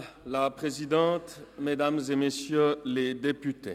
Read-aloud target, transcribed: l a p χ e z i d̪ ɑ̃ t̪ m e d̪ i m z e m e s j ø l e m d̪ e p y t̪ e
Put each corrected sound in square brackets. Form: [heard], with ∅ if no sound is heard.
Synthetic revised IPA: l a p χ e z i d̪ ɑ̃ t̪ m e d̪ [a] m z e m e s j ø l e [∅] d̪ e p y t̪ e